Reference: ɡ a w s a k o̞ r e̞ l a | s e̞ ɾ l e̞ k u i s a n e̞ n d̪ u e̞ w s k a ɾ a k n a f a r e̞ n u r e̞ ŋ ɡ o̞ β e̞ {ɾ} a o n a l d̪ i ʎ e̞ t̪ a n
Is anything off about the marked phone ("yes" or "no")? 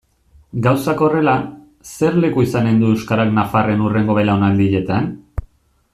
yes